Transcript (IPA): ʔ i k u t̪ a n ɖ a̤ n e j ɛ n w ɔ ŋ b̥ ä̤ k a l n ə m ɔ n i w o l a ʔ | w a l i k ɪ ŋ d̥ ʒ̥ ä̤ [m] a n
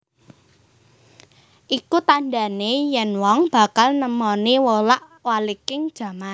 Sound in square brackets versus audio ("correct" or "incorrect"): correct